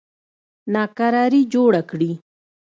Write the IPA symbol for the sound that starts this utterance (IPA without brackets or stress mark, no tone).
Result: n